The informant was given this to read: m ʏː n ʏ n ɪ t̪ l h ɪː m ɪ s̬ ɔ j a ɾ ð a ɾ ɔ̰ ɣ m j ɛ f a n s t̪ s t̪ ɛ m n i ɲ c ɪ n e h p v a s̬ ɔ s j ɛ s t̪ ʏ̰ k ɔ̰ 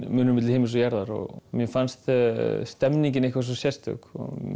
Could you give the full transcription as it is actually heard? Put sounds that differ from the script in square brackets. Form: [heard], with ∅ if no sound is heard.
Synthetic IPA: m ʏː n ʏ [m] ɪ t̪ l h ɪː m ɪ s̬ ɔ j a ɾ ð a ɾ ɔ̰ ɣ m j ɛ f a n s t̪ s t̪ ɛ m n i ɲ c ɪ n e h [k] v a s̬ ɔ s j ɛ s t̪ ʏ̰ k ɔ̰